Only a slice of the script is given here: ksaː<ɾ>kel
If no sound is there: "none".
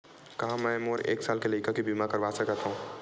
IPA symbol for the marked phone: l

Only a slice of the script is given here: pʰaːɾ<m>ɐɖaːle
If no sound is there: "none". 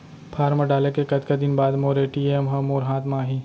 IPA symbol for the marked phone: m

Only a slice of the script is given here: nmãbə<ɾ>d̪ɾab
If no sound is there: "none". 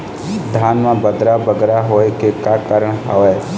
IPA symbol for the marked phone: none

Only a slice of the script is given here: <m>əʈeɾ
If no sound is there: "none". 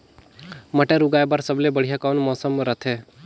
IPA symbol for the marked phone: m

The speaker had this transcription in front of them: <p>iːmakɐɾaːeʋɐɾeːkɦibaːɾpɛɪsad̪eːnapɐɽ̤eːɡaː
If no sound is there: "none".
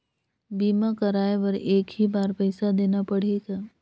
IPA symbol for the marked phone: b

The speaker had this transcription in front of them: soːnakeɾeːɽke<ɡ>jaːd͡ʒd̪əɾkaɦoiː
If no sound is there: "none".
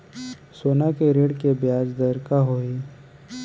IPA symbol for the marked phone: b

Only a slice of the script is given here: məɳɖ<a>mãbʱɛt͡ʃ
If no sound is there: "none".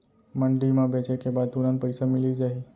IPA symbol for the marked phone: i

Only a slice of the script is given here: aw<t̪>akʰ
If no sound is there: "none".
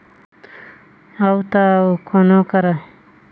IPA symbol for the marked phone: t̪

